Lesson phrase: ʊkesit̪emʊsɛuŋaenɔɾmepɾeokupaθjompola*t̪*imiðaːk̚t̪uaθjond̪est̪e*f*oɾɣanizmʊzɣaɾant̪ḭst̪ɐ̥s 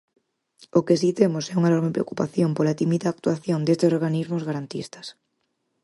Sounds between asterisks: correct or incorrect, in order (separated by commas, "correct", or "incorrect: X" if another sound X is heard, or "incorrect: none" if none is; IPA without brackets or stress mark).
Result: correct, incorrect: s